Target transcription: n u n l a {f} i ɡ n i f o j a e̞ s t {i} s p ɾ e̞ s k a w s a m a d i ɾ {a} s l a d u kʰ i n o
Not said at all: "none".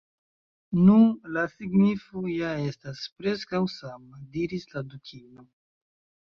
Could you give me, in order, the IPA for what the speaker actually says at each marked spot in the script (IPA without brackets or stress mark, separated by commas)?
s, a, i